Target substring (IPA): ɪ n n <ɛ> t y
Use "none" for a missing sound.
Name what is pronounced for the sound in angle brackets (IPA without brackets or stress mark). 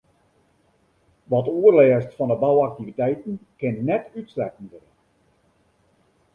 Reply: ɛ